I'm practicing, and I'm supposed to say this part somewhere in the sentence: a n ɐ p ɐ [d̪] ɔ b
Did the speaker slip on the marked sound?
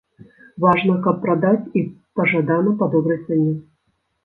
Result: no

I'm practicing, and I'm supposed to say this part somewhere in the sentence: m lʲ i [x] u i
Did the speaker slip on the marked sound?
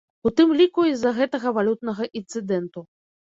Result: yes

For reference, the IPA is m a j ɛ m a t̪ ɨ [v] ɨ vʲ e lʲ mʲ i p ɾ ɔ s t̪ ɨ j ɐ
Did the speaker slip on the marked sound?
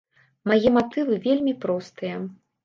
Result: no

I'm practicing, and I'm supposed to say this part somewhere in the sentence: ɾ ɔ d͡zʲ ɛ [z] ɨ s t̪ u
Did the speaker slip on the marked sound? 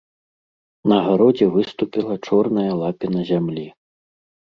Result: yes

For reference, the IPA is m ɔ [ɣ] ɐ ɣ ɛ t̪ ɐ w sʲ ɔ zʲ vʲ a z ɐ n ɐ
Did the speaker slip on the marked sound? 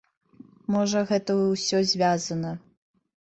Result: yes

